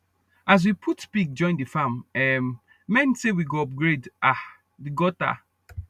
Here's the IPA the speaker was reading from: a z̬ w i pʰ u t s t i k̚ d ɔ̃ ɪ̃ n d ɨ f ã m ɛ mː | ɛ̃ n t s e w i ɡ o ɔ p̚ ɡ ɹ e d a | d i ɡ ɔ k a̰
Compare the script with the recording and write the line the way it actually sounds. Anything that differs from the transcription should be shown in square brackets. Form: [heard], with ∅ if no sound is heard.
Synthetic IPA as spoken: a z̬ w i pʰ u t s [p] i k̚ [d͡ʒ] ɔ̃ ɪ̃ n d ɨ f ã m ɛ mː | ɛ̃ n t s e w i ɡ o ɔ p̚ ɡ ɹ e d a | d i ɡ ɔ [t] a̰

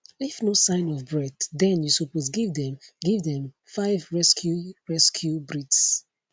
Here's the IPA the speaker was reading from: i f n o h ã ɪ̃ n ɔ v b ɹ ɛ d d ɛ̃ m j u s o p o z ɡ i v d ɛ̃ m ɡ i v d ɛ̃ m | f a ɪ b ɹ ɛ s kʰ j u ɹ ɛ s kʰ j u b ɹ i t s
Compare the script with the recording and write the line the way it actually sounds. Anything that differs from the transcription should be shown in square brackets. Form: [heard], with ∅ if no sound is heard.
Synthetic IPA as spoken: i f n o [s] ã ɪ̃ n ɔ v b ɹ ɛ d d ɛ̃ [n] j u s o p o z ɡ i v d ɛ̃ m ɡ i v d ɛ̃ m | f a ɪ [v] ɹ ɛ s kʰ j u ɹ ɛ s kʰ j u b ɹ i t s

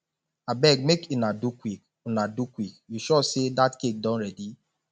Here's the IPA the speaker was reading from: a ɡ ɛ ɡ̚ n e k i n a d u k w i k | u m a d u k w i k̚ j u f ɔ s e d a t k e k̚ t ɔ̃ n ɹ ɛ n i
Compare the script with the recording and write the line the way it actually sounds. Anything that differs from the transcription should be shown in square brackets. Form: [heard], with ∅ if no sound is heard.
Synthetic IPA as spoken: a [b] ɛ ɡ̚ [m] e k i n a d u k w i k | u [n] a d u k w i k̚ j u [ʃ] ɔ s e d a t k e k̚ [d] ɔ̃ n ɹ ɛ [d] i

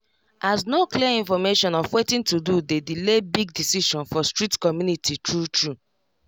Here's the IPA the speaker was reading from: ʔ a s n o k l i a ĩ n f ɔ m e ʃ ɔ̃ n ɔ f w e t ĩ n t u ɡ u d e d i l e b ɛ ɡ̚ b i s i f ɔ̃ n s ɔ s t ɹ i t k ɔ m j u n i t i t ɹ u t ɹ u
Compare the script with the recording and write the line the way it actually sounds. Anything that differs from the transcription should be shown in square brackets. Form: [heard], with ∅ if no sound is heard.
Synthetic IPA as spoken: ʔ a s n o k l i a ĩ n f ɔ m e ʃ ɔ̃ n ɔ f w e t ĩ n t u [d] u d e d i l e b [i] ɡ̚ [d] i s i [ʃ] ɔ̃ n [f] ɔ s t ɹ i t k ɔ m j u n i t i t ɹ u t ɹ u

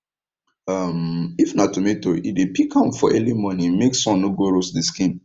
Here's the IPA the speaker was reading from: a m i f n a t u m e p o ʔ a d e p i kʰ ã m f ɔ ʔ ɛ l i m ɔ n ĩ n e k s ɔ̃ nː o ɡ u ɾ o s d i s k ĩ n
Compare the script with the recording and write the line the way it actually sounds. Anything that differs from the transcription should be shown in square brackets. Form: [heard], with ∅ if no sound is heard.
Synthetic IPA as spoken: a m i f n a t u m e [t] o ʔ [i] d e p i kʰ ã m f ɔ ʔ ɛ l i m ɔ n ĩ [m] e k s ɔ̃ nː o ɡ [o] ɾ o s d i s k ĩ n

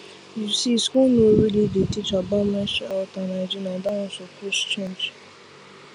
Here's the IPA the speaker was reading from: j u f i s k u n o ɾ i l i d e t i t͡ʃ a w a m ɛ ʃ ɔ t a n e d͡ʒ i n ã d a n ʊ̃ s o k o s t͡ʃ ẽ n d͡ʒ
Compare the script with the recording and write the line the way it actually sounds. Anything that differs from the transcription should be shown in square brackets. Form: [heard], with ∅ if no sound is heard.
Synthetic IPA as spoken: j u [s] i s k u n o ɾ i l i d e t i t͡ʃ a [b] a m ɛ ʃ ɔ t a n [a] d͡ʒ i n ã d a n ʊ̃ s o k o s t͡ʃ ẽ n d͡ʒ

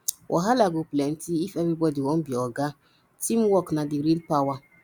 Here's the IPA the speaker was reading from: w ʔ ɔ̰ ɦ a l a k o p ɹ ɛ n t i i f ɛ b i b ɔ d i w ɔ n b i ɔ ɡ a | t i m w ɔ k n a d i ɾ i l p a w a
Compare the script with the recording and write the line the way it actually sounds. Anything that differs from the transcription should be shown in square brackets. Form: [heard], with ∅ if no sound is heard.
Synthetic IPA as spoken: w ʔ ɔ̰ ɦ a l a [ɡ] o p [l] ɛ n t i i f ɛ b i b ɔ d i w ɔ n b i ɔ ɡ a | t i m w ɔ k n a d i ɾ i l p a w a

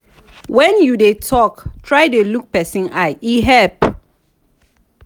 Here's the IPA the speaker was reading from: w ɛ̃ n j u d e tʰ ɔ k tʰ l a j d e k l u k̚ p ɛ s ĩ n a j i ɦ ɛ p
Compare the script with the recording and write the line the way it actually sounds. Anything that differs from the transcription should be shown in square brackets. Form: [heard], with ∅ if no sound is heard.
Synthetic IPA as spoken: w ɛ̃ n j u d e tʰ ɔ k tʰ [ɹ] a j d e [∅] l u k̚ p ɛ s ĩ n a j i ɦ ɛ p

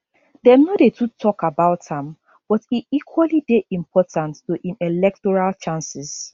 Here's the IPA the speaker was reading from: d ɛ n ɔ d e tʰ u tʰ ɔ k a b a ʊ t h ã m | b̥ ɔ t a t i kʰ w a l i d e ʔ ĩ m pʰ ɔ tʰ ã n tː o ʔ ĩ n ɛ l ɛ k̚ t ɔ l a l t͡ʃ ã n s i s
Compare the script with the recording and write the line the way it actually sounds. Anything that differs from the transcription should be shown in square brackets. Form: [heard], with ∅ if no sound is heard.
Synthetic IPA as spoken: d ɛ n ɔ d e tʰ u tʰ ɔ k a b a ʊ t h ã m | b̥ ɔ t [i] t i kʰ w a l i d e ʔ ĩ m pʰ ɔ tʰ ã n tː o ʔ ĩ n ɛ l ɛ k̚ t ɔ [ɹ] a l t͡ʃ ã n s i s

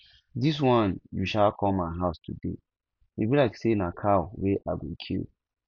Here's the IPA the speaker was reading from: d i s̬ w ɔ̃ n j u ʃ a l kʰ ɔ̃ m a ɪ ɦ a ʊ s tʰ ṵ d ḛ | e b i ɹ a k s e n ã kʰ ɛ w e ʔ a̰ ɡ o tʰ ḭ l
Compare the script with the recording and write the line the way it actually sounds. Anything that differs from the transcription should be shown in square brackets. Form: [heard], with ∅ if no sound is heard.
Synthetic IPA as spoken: d i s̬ w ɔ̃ n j u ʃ a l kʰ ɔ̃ m a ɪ ɦ a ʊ s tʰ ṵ d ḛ | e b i [l] a k s e n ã kʰ [a] w e ʔ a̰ ɡ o [kʰ] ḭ l

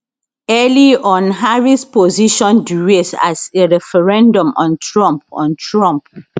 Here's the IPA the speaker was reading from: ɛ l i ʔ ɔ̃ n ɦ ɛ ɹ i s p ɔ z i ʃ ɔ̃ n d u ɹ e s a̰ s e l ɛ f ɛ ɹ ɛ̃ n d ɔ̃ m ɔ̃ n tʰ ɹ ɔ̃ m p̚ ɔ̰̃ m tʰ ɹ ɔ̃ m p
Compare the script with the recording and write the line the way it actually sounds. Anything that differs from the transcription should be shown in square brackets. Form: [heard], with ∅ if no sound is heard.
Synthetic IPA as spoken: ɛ l i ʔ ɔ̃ n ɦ [a] ɹ i s p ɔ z i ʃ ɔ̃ n d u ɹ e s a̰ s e [ɹ] ɛ f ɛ ɹ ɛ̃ n d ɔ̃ m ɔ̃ n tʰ ɹ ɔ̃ m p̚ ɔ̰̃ [n] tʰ ɹ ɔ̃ m p

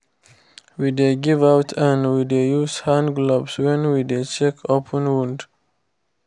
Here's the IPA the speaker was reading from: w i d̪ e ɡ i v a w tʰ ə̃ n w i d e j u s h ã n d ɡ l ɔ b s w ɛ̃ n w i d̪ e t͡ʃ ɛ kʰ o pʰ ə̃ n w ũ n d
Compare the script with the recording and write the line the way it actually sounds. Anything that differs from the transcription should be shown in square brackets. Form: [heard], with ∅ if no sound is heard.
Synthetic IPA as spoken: w i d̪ e ɡ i v a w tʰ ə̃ n w i d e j u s h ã n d ɡ l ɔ b s w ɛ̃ n w i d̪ e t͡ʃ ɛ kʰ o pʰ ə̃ n w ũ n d

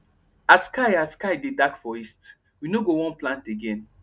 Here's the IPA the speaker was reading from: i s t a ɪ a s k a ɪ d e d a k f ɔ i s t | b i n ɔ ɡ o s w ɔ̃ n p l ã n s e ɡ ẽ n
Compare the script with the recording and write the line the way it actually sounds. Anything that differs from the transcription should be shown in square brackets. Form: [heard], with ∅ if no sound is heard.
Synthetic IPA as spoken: [a] s [k] a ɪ a s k a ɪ d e d a k f ɔ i s t | [w] i n [o] ɡ o [∅] w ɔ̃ n p l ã n [t] e ɡ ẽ n

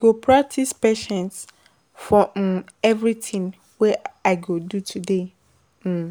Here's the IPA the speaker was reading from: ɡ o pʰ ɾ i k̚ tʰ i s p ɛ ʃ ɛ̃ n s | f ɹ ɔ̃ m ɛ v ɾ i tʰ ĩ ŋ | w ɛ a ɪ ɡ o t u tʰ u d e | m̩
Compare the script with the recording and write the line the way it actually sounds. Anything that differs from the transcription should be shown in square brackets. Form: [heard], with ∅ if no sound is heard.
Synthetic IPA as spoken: ɡ o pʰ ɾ [a] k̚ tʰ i s p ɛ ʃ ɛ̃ n s | f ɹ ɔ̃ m ɛ v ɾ i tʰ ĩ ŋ | w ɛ a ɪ ɡ o [d] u tʰ u d e | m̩

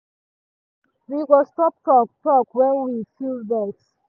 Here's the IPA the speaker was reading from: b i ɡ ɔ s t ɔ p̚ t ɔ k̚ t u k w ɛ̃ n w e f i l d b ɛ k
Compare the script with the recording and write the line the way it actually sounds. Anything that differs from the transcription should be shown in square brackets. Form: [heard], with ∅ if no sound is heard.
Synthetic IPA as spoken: [w] i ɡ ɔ s t ɔ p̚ t ɔ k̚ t [ɔ] k w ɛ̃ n w [i] f i l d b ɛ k

